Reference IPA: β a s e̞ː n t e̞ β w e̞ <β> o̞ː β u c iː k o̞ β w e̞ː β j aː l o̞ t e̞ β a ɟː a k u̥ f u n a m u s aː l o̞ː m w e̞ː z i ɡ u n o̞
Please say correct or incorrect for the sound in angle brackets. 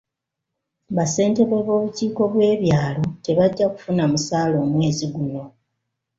correct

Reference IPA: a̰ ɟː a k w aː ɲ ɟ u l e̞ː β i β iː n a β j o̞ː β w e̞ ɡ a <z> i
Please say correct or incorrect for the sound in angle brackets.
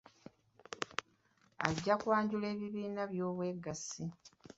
incorrect: s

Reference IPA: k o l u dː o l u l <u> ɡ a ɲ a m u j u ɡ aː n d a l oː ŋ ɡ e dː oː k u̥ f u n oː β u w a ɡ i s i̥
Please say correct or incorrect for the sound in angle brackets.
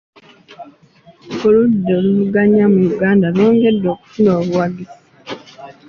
correct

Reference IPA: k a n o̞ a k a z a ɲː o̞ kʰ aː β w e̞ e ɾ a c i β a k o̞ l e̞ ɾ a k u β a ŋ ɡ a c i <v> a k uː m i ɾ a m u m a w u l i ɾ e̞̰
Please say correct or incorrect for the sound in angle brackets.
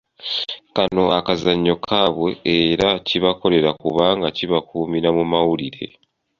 incorrect: β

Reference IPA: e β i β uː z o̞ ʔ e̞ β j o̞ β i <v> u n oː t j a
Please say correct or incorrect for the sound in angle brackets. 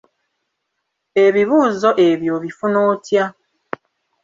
incorrect: f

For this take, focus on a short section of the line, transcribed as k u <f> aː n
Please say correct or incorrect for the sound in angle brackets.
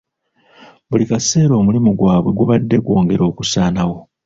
incorrect: s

